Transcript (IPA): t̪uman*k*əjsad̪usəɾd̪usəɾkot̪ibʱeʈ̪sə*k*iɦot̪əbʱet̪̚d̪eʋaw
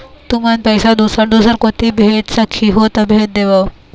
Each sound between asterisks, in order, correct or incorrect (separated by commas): incorrect, incorrect